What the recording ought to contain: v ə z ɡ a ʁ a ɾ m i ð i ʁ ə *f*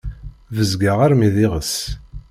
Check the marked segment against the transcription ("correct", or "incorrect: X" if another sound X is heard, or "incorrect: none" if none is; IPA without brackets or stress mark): incorrect: s